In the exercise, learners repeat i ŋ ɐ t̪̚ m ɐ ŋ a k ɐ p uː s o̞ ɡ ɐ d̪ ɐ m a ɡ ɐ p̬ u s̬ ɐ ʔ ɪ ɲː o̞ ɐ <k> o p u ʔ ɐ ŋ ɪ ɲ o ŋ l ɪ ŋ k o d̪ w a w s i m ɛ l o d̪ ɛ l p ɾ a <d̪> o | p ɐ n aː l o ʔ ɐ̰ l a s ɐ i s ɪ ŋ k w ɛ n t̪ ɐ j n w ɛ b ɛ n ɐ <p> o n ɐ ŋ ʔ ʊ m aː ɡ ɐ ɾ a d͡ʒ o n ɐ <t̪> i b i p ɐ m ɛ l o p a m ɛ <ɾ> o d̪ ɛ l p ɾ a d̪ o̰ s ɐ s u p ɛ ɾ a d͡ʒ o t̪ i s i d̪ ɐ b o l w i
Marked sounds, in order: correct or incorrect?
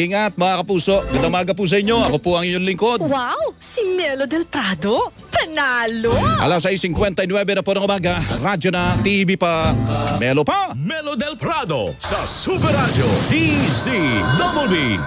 correct, correct, correct, correct, incorrect: l

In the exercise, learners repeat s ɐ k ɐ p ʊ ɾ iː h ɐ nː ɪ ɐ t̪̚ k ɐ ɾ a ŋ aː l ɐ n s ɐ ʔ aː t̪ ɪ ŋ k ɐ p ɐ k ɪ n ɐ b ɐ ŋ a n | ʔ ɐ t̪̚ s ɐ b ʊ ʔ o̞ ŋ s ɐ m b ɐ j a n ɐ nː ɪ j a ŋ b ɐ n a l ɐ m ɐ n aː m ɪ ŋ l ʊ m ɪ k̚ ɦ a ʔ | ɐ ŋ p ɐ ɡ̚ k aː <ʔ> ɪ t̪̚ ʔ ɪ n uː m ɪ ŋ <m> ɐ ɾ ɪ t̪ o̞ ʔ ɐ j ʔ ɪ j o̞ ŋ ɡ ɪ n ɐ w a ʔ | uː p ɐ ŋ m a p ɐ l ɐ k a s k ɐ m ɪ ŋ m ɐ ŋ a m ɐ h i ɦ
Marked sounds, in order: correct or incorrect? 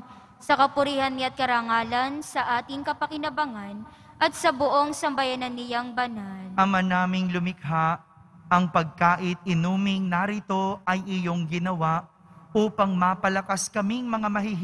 correct, incorrect: n

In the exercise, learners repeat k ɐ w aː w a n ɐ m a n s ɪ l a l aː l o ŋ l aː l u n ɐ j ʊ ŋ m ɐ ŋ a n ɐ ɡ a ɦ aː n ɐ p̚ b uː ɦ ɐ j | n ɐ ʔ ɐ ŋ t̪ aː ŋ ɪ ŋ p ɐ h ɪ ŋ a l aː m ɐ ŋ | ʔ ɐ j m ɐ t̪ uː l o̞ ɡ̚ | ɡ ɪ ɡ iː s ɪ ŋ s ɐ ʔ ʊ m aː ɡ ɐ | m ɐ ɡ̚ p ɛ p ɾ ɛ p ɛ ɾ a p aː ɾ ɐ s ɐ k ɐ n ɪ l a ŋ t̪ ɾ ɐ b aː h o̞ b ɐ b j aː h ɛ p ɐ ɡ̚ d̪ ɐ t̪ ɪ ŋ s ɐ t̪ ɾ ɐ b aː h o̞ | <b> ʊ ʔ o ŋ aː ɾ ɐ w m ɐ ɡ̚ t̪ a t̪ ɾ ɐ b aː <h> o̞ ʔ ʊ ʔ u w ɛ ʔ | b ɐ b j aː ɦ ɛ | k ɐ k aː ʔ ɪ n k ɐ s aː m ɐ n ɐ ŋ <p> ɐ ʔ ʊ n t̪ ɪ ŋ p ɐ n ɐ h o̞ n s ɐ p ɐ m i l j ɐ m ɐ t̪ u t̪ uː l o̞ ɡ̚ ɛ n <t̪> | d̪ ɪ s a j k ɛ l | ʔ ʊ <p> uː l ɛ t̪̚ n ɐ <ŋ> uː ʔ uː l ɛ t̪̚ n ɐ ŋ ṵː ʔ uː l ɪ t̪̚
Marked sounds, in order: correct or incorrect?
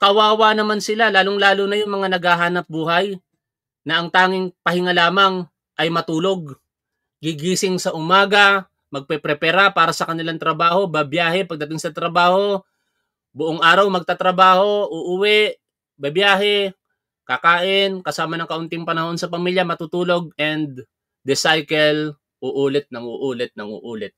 correct, correct, incorrect: k, incorrect: d̪, incorrect: ʔ, correct

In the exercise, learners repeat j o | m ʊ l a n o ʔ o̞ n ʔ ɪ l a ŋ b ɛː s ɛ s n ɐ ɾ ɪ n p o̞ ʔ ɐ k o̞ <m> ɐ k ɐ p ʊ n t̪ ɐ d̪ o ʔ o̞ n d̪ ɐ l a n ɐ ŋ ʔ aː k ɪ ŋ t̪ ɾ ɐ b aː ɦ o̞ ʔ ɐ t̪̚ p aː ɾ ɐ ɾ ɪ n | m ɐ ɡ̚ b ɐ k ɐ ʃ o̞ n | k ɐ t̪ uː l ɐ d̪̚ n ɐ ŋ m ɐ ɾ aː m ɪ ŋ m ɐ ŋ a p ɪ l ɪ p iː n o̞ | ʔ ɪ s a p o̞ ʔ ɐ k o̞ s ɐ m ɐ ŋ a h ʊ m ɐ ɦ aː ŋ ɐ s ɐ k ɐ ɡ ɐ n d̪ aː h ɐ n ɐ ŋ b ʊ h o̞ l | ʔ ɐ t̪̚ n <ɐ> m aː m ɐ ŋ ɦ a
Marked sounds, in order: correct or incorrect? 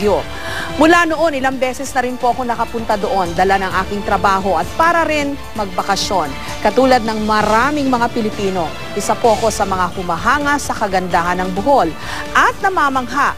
incorrect: n, correct

